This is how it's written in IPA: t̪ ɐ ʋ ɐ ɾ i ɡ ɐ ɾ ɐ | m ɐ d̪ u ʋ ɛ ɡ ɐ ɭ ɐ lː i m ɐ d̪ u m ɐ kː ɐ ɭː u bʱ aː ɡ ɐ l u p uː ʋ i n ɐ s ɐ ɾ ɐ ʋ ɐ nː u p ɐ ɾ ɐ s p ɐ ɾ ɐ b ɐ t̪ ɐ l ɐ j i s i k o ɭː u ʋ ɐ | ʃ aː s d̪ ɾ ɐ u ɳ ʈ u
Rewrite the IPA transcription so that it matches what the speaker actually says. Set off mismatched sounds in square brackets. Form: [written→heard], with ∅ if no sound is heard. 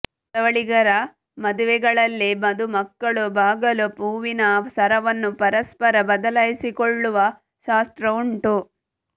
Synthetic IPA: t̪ ɐ ʋ ɐ [ɾ→ɭ] i ɡ ɐ ɾ ɐ | m ɐ d̪ u ʋ ɛ ɡ ɐ ɭ ɐ lː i m ɐ d̪ u m ɐ kː ɐ [ɭː→ɭ] u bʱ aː ɡ ɐ l u p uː ʋ i n ɐ s ɐ ɾ ɐ ʋ ɐ nː u p ɐ ɾ ɐ s p ɐ ɾ ɐ b ɐ [t̪→d̪] ɐ l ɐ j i s i k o ɭː u ʋ ɐ | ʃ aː s [d̪→t̪] ɾ ɐ u ɳ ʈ u